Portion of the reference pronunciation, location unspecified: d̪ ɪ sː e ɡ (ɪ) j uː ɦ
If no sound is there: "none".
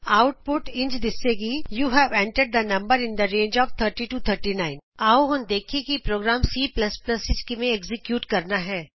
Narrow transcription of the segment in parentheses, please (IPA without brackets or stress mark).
i